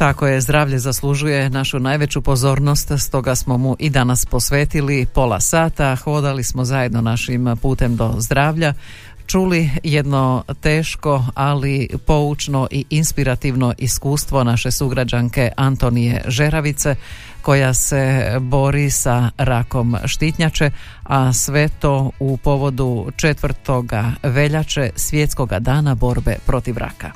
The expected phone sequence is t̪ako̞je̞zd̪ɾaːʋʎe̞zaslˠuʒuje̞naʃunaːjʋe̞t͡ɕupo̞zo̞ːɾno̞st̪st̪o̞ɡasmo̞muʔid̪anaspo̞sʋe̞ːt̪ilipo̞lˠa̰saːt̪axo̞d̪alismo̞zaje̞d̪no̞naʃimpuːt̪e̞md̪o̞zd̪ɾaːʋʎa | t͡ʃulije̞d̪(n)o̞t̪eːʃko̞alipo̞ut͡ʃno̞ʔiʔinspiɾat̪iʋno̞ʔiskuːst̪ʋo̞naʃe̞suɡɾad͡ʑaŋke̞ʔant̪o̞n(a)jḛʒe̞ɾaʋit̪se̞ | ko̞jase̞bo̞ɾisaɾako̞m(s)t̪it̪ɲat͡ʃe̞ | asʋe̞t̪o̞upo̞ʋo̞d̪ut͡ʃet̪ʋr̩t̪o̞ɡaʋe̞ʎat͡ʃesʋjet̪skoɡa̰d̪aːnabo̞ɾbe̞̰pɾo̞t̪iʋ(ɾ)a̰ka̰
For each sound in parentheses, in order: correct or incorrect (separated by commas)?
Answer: correct, incorrect, incorrect, correct